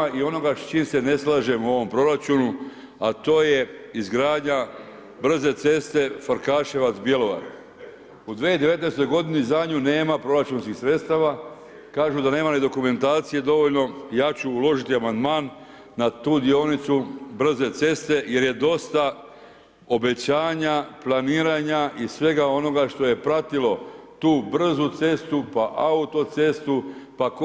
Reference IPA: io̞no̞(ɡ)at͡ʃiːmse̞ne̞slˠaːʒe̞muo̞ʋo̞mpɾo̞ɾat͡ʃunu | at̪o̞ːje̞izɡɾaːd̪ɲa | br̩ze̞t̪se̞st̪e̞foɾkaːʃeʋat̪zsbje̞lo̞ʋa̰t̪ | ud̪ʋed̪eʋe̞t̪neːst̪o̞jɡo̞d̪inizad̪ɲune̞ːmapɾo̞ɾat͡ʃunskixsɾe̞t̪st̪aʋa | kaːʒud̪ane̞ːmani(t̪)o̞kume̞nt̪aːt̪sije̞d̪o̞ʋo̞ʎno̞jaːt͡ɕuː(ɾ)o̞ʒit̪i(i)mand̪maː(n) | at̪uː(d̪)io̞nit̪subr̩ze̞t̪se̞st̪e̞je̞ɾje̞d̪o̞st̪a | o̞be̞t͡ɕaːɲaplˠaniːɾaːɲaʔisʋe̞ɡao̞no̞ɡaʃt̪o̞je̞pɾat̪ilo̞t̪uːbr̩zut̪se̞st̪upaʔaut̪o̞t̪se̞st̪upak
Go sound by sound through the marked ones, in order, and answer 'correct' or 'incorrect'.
correct, incorrect, incorrect, incorrect, incorrect, correct

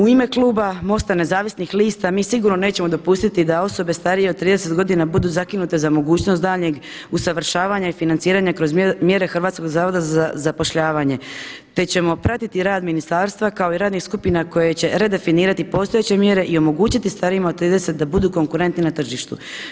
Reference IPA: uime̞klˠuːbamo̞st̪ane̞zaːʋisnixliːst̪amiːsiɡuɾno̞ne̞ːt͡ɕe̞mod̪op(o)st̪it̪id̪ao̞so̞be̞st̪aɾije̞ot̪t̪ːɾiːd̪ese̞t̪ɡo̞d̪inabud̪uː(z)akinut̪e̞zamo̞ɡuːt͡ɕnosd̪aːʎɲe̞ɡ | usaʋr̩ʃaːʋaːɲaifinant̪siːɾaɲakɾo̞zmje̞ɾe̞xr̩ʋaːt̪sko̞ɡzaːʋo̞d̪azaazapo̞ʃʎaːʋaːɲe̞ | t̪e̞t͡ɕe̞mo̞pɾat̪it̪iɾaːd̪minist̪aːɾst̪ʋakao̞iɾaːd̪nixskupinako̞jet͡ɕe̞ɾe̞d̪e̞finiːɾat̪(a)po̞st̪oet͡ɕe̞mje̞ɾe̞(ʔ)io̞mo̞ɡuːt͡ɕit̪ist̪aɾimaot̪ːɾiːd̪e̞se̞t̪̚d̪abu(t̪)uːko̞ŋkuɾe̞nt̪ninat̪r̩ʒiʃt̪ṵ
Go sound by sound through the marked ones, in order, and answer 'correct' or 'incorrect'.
incorrect, correct, incorrect, correct, incorrect

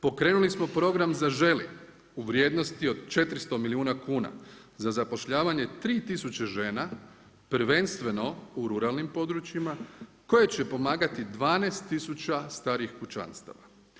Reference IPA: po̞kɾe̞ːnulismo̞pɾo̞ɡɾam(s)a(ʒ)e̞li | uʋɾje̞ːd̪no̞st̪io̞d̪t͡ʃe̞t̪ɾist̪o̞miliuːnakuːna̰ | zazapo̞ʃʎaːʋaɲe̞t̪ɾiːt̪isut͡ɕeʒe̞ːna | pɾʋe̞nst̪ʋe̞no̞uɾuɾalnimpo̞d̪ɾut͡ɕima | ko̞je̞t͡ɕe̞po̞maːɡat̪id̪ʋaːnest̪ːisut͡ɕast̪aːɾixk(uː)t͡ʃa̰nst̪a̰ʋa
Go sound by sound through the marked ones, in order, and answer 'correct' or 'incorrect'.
incorrect, correct, incorrect

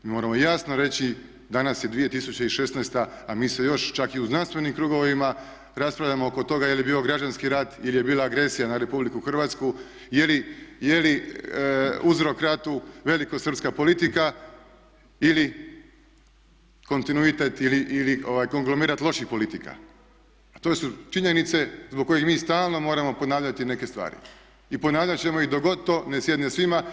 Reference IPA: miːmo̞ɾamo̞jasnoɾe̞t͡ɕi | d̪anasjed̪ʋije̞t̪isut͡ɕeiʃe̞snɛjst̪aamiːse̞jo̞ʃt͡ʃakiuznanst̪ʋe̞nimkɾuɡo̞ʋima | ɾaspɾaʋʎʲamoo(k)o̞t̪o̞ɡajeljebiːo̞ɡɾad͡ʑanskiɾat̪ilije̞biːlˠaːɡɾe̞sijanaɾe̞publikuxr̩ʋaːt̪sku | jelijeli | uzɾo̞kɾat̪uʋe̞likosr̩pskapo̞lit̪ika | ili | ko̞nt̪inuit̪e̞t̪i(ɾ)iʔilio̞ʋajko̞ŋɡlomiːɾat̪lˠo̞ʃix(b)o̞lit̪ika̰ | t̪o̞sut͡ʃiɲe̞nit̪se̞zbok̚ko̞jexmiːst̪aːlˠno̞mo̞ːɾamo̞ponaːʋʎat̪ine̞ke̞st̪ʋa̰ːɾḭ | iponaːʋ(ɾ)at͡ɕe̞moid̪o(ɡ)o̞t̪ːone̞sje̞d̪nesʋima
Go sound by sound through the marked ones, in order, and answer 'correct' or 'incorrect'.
correct, incorrect, incorrect, incorrect, correct

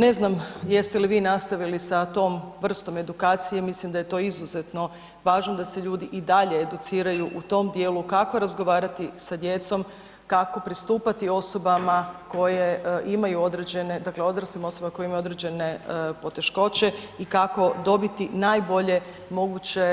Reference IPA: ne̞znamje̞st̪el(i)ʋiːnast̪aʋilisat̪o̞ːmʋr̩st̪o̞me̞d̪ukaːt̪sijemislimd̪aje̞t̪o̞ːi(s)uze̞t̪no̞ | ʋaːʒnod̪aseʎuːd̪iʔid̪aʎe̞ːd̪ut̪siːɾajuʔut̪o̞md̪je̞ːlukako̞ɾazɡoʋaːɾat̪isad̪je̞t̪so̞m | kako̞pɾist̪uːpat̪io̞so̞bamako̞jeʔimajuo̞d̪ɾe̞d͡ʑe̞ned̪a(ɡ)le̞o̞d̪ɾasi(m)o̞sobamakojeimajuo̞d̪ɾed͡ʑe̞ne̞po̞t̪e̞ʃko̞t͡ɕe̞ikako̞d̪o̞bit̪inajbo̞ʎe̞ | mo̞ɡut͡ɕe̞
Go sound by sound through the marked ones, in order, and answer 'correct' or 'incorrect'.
correct, incorrect, incorrect, correct

